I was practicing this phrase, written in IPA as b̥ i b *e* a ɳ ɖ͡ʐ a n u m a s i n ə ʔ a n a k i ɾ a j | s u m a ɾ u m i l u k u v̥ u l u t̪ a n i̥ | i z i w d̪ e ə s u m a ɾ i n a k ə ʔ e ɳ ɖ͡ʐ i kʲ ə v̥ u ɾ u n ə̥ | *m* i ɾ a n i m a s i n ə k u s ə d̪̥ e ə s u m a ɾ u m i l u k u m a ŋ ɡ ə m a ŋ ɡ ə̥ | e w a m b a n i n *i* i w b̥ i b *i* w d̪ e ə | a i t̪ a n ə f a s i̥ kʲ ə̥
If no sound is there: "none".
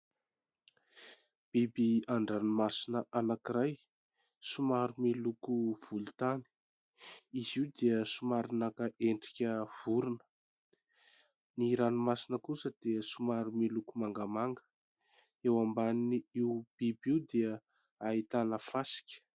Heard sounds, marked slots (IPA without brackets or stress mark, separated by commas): i, n, i, i